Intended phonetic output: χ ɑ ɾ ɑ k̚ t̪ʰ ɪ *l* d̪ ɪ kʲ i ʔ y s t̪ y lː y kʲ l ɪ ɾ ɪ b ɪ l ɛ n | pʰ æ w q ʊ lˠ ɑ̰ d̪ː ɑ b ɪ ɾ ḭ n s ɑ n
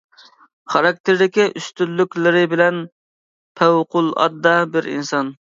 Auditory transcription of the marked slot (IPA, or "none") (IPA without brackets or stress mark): ɾ